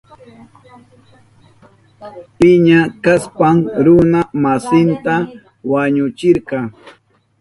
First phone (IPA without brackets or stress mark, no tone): p